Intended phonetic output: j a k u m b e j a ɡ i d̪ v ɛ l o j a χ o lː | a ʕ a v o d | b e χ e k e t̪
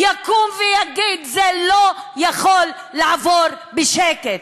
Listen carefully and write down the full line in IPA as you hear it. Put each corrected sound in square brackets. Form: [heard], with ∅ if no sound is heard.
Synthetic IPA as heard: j a k u m [v] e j a ɡ i d̪ [z] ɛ l o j a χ o lː | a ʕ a v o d | b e [ʃ] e k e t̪